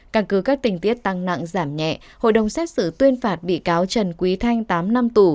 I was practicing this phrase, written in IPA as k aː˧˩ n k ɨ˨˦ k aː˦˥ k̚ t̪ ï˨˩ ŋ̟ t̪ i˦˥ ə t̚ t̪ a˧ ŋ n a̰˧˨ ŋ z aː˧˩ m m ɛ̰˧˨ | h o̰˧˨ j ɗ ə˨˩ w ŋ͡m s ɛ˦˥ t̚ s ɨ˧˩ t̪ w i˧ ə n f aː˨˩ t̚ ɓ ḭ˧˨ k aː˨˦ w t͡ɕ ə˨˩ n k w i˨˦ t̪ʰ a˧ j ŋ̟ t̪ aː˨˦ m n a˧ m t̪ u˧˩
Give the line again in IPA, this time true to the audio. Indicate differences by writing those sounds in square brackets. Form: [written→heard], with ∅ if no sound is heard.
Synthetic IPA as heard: k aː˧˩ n k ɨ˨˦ k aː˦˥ k̚ t̪ ï˨˩ ŋ̟ t̪ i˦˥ ə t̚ t̪ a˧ ŋ n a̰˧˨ ŋ z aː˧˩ m [m→ɲ] ɛ̰˧˨ | h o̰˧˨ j ɗ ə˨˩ w ŋ͡m s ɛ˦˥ t̚ s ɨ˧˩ t̪ w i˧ ə n f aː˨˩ t̚ ɓ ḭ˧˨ k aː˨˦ w t͡ɕ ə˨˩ n k w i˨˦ t̪ʰ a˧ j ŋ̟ t̪ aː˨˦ m n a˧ m t̪ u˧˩